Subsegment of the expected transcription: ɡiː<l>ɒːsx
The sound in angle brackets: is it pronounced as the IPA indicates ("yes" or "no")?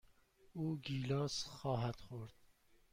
yes